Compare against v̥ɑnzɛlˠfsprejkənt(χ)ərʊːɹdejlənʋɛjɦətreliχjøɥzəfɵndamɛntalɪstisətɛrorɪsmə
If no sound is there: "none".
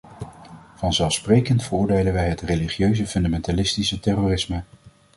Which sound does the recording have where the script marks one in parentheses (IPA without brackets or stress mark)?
f